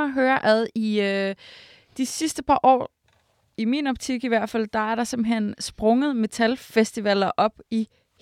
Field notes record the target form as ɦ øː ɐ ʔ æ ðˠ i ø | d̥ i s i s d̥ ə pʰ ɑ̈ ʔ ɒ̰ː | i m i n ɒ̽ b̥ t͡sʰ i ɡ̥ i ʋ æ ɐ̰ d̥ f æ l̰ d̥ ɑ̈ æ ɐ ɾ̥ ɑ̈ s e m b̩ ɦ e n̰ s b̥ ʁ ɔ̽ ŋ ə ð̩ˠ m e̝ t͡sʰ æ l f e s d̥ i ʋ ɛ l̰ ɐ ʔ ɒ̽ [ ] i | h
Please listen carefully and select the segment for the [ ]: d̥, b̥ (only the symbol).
b̥